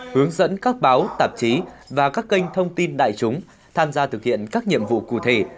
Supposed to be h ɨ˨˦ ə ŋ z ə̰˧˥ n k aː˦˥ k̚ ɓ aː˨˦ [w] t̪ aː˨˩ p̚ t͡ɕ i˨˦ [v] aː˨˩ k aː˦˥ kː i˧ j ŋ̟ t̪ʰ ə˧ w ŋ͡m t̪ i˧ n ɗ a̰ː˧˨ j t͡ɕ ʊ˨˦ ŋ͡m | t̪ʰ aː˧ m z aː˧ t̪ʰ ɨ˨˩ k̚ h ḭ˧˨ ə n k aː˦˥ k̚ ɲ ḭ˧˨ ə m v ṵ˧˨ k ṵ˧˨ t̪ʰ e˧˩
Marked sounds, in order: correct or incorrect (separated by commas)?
correct, correct